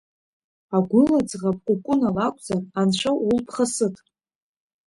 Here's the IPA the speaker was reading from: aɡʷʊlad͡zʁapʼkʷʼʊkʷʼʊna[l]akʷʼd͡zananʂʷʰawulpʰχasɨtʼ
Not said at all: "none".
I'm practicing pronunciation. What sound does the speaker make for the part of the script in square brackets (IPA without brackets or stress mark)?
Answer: l